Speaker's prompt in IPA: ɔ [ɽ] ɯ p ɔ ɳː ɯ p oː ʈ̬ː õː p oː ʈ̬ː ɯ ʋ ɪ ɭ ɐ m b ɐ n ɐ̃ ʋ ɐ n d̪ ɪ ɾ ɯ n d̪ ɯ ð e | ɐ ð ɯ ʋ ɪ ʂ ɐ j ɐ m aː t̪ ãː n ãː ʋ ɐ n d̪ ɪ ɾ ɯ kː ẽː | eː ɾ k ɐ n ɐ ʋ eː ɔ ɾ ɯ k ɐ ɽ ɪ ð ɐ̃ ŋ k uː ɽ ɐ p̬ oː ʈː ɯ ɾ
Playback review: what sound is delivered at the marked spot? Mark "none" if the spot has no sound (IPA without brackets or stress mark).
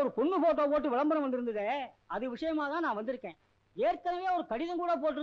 ɾ